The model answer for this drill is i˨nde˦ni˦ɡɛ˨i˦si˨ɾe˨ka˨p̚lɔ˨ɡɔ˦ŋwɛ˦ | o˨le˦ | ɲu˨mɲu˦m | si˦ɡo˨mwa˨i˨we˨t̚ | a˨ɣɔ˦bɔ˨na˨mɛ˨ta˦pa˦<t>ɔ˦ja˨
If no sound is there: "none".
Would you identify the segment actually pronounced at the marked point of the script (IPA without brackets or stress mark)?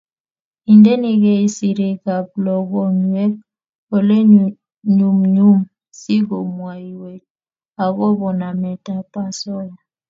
s